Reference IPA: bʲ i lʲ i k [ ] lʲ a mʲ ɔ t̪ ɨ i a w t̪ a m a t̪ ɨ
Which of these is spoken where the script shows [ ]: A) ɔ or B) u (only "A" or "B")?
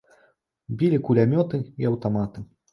B